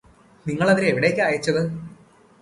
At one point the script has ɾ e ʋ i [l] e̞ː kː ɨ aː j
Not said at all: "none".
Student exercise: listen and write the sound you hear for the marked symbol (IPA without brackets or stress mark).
ɽ